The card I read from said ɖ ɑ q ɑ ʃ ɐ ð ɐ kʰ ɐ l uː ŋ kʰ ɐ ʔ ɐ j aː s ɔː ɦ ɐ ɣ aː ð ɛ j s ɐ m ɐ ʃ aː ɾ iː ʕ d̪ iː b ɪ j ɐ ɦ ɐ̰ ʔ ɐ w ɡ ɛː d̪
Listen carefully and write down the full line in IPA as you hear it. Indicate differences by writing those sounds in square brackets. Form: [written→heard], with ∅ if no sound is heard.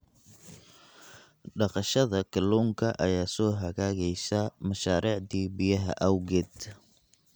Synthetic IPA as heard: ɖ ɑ q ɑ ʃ ɐ ð ɐ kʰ ɐ l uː ŋ kʰ ɐ ʔ ɐ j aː s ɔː ɦ ɐ ɣ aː [ð→ɣ] ɛ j s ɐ m ɐ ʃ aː ɾ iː ʕ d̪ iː b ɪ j ɐ ɦ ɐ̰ ʔ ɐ w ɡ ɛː d̪

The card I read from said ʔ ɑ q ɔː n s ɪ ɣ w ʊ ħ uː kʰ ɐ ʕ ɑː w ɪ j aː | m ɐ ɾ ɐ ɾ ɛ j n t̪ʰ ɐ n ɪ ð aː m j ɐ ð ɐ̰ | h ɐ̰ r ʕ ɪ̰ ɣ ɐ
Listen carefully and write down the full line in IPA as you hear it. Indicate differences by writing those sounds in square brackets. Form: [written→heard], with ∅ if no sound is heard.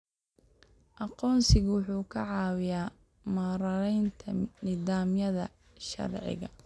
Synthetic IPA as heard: ʔ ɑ q ɔː n s ɪ ɣ w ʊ ħ uː kʰ ɐ ʕ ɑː w ɪ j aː | m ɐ ɾ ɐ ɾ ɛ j n t̪ʰ ɐ n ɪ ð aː m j ɐ ð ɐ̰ | [h→ʃ] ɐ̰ r ʕ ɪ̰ ɣ ɐ

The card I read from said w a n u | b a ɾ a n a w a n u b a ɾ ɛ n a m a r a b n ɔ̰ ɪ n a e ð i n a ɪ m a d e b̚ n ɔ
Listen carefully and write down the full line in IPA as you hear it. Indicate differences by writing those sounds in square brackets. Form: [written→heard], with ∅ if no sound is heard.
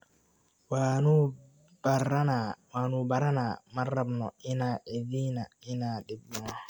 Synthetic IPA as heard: w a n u | b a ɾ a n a w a n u b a ɾ [ɛ→a] n a m a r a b n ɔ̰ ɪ n a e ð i n a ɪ [m→n] a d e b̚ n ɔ

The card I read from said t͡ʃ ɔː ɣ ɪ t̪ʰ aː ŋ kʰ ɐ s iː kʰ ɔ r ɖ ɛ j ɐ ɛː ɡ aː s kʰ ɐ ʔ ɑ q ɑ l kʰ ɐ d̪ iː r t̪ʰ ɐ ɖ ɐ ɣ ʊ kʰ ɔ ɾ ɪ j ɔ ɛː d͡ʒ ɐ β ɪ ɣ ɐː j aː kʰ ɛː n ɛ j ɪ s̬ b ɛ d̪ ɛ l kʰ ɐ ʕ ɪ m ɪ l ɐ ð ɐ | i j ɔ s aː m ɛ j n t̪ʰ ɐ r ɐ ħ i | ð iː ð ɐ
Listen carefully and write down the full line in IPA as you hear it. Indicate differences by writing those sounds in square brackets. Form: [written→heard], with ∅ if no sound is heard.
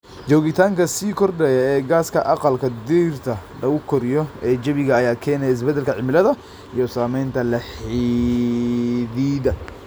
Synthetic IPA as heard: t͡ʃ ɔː ɣ ɪ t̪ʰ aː ŋ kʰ ɐ s iː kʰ ɔ r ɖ ɛ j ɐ ɛː ɡ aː s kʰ ɐ ʔ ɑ q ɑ l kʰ ɐ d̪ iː r t̪ʰ ɐ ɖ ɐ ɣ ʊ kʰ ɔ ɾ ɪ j ɔ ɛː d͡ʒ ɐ β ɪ ɣ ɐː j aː kʰ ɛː n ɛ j ɪ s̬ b ɛ d̪ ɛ l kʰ ɐ ʕ ɪ m ɪ l ɐ ð ɐ | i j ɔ s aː m ɛ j n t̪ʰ ɐ [r→l] ɐ ħ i | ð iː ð ɐ

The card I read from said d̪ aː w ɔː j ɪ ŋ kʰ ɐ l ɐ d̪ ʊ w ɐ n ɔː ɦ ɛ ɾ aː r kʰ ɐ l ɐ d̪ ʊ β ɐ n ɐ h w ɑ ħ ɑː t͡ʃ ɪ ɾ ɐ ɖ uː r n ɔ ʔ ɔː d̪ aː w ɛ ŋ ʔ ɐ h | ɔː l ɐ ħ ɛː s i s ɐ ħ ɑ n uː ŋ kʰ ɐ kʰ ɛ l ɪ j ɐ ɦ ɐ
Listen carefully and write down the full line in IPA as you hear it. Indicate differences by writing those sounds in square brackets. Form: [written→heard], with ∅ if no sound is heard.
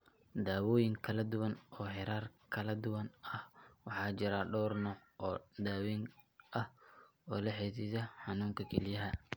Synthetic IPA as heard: d̪ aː w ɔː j ɪ ŋ kʰ ɐ l ɐ d̪ ʊ w ɐ n ɔː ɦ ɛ ɾ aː r kʰ ɐ l ɐ d̪ ʊ [β→w] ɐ n ɐ h w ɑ ħ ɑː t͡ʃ ɪ ɾ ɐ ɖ [uː→ɔː] r n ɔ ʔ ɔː d̪ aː w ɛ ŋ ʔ ɐ h | ɔː l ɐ ħ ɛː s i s ɐ ħ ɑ n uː ŋ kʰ ɐ kʰ ɛ l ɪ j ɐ ɦ ɐ

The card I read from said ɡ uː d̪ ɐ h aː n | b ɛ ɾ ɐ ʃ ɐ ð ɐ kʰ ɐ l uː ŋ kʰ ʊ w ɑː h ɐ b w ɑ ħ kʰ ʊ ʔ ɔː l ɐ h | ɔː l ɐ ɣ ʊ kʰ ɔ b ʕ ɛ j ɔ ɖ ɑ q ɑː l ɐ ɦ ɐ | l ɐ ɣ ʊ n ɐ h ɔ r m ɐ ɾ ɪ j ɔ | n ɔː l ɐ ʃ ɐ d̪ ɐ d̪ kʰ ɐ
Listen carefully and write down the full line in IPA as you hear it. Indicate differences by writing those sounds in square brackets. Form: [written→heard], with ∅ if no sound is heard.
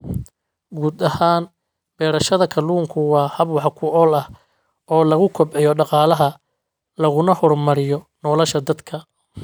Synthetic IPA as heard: ɡ uː d̪ ɐ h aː n | b [ɛ→ɛː] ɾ ɐ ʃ ɐ ð ɐ kʰ ɐ l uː ŋ kʰ ʊ w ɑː h ɐ b w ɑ ħ kʰ ʊ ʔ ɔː l ɐ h | ɔː l ɐ ɣ ʊ kʰ ɔ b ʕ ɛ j ɔ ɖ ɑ q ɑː l ɐ ɦ ɐ | l ɐ ɣ ʊ n ɐ h ɔ r m ɐ ɾ ɪ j ɔ | n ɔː l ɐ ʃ ɐ d̪ ɐ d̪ kʰ ɐ

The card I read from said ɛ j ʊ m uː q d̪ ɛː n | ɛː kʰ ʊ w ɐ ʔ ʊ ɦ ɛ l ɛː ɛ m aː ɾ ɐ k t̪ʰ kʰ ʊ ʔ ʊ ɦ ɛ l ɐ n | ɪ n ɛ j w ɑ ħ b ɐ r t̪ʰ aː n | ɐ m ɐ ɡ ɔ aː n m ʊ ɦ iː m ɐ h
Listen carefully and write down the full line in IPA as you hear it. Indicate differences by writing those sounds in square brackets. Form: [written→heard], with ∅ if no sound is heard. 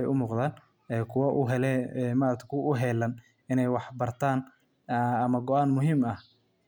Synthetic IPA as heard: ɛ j ʊ m uː q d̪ [ɛː→aː] n | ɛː kʰ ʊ w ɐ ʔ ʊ ɦ ɛ l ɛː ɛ m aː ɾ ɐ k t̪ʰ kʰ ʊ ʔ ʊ ɦ ɛ l ɐ n | ɪ n ɛ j w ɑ ħ b ɐ r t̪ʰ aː n | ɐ m ɐ ɡ ɔ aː n m ʊ ɦ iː m ɐ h

